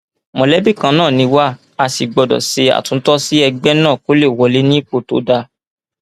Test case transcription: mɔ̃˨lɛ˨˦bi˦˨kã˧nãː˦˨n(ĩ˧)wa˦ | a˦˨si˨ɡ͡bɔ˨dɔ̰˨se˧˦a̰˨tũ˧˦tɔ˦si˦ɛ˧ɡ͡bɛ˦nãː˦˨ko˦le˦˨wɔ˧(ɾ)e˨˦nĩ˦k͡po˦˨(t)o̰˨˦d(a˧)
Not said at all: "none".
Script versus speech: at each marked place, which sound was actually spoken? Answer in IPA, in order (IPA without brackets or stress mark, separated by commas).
ĩ˧, l, t, a˧